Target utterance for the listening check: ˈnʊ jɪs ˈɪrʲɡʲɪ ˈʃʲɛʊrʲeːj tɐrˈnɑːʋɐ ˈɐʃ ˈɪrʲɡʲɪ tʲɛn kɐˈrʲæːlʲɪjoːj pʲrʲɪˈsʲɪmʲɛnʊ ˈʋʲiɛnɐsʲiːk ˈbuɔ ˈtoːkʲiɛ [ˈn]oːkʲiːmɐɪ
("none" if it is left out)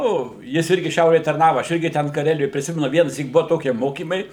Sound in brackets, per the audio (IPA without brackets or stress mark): m